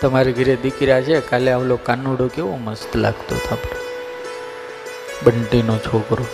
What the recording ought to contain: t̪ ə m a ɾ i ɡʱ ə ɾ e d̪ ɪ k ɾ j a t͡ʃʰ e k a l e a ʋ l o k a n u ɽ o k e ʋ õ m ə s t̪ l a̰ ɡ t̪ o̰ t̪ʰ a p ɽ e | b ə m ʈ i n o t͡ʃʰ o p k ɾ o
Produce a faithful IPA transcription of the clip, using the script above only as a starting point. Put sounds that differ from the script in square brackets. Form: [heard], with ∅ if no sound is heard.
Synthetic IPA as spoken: t̪ ə m a ɾ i ɡʱ ə ɾ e d̪ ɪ k ɾ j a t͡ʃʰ e k a l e a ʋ l o k a n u ɽ o k e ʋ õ m ə s t̪ l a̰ ɡ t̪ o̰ t̪ʰ a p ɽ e | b ə [ɳ] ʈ i n o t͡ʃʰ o [∅] k ɾ o